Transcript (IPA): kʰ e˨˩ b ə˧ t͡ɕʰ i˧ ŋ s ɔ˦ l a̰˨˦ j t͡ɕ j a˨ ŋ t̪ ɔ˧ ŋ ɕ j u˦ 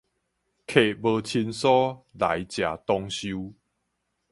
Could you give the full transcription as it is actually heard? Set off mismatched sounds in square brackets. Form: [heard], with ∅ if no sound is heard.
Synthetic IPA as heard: kʰ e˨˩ b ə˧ t͡ɕʰ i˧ [n] s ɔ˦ l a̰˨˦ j t͡ɕ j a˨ [∅] t̪ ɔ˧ ŋ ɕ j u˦